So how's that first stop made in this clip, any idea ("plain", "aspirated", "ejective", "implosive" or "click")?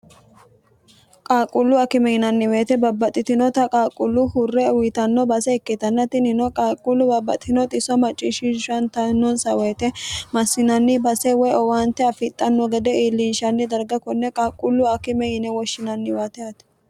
ejective